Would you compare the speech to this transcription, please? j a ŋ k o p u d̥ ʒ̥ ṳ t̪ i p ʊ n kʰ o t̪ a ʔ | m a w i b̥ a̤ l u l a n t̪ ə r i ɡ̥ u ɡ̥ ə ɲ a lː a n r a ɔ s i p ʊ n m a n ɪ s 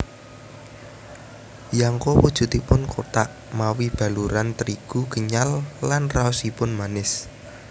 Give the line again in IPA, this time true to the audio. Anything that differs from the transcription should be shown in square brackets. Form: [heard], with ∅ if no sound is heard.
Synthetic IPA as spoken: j a ŋ k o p u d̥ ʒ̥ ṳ t̪ i p ʊ n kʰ o t̪ a ʔ | m a w i b̥ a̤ l u [ɾ] a n t̪ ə [ɾ] i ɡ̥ u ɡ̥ ə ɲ a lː a n r a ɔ s i p ʊ n m a n ɪ s